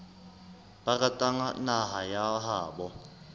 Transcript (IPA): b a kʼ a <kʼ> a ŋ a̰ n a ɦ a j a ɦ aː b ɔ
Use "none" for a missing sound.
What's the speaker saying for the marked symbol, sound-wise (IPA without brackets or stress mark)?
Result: tʼ